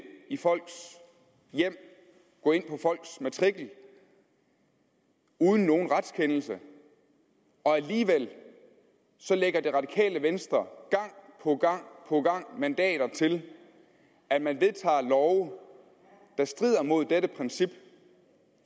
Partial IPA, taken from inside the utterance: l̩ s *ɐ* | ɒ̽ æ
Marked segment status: incorrect: ə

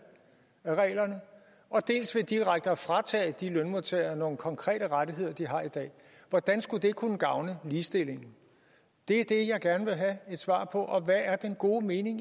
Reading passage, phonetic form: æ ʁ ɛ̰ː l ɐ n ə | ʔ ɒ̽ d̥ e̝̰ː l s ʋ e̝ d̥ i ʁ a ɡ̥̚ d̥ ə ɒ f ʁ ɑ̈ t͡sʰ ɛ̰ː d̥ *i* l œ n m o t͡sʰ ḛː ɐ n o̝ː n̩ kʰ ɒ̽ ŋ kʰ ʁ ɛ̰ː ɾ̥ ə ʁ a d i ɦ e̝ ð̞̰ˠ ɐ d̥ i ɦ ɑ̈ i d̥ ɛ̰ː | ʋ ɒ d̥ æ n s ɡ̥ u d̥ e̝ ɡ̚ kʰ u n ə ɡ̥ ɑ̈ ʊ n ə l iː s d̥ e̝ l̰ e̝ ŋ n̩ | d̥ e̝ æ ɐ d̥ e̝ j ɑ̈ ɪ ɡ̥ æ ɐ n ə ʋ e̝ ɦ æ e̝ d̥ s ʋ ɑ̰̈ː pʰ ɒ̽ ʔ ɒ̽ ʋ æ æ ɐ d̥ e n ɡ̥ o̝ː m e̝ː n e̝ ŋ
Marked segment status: correct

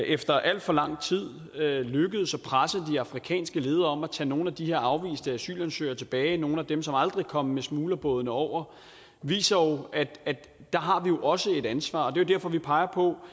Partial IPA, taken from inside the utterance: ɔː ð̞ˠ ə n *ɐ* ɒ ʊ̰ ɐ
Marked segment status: incorrect: ə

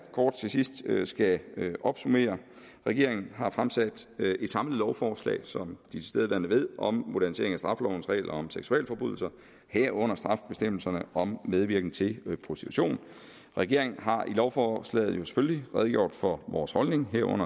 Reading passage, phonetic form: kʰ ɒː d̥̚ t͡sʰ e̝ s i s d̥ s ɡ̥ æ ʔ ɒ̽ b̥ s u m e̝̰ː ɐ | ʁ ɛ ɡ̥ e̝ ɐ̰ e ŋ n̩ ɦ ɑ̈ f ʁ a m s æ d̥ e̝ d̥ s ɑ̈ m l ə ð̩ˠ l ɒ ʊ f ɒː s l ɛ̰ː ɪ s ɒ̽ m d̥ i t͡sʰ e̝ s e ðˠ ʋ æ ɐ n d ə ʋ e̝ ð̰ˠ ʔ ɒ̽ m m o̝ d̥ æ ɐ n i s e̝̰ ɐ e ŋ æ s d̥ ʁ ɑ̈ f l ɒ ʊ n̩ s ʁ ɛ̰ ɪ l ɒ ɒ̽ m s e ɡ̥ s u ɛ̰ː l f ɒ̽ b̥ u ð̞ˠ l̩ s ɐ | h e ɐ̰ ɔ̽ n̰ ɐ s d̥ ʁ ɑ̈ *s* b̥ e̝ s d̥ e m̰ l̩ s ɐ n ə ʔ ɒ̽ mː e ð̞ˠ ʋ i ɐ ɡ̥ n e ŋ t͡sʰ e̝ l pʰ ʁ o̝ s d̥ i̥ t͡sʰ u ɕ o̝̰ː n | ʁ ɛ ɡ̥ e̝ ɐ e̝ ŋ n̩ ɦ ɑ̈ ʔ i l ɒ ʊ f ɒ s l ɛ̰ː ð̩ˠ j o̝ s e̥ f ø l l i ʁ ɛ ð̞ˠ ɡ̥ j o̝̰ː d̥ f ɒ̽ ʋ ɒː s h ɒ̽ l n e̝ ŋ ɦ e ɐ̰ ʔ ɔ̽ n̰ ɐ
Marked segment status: incorrect: f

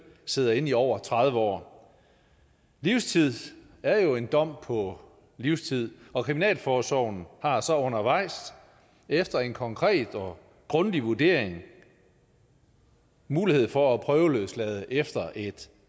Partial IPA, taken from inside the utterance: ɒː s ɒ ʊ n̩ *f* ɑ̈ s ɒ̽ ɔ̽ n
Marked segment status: incorrect: h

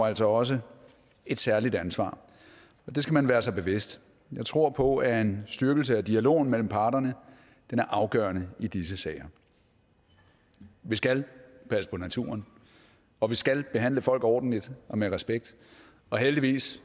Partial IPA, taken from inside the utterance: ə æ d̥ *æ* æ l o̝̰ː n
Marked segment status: incorrect: i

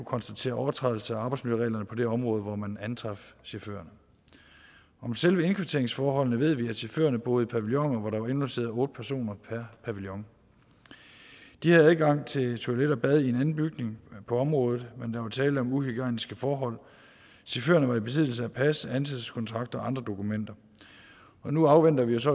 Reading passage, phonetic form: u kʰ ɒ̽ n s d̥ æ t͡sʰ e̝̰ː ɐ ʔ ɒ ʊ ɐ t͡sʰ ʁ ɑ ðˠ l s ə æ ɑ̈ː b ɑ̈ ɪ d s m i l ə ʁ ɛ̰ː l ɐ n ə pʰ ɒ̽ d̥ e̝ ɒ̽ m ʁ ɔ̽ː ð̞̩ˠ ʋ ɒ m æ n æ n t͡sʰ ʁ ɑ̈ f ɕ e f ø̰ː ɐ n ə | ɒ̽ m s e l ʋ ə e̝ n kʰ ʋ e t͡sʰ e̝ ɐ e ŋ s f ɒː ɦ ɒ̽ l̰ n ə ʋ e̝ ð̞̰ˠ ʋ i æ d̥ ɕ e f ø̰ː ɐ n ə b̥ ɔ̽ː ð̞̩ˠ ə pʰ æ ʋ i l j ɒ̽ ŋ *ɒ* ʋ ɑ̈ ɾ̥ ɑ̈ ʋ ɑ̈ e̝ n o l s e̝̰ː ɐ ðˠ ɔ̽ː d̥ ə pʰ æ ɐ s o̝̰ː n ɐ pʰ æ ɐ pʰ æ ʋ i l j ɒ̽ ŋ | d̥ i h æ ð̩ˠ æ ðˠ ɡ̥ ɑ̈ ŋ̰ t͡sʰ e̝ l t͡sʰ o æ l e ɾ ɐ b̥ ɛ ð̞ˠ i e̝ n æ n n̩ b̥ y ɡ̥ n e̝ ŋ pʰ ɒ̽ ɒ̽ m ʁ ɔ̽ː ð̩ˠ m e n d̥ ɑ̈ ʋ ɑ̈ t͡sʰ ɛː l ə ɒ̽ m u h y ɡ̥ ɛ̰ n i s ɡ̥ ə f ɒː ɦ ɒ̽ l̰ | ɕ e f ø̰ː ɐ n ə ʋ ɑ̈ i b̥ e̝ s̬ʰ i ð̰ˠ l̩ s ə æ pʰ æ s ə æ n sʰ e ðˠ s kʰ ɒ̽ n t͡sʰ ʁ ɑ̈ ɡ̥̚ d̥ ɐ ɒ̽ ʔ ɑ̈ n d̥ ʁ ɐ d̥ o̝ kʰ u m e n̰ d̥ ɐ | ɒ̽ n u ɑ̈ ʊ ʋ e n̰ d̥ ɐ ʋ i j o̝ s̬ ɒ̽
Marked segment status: correct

